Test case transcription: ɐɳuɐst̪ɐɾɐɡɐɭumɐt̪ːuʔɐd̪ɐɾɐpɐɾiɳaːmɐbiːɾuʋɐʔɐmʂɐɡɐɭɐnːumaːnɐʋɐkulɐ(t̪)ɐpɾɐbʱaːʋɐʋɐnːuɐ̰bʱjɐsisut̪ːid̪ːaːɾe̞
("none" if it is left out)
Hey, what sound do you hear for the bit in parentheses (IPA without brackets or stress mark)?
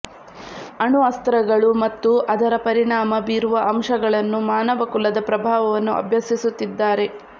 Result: d̪